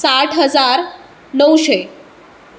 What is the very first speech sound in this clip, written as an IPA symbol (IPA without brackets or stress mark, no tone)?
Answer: s